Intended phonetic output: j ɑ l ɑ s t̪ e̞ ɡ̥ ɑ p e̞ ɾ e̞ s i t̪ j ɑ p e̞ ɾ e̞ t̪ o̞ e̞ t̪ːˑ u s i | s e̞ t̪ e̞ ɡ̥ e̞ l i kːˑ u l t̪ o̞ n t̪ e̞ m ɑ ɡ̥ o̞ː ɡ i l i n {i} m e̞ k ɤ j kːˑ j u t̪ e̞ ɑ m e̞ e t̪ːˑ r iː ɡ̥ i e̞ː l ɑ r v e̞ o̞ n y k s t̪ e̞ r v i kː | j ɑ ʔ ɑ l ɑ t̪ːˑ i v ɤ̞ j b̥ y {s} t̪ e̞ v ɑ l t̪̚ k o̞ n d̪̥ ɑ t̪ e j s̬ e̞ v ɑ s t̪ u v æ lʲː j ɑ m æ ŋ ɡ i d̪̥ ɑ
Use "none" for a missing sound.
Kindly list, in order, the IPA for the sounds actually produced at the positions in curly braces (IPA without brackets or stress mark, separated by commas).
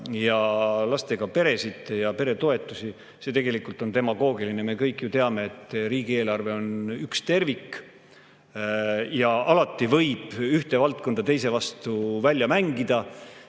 e, h